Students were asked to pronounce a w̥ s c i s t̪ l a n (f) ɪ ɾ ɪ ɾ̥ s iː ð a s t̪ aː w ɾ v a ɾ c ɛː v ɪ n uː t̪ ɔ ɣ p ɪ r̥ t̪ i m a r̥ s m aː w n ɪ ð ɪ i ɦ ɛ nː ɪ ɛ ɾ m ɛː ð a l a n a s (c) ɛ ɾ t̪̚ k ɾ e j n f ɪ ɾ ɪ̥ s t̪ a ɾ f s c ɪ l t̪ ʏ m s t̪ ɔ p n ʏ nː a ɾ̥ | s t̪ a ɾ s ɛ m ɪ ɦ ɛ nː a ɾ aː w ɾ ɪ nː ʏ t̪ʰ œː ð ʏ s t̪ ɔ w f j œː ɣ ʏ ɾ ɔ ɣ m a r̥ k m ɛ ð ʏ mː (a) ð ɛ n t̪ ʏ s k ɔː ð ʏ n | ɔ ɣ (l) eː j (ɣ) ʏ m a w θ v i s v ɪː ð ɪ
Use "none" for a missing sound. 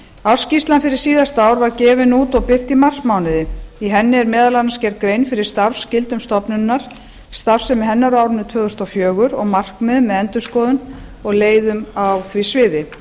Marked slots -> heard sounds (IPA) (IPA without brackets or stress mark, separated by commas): f, c, ɛ, l, ð